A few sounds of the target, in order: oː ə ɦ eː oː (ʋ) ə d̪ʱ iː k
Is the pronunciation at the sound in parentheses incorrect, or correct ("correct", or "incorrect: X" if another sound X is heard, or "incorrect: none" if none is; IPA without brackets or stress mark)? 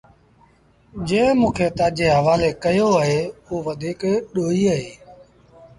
correct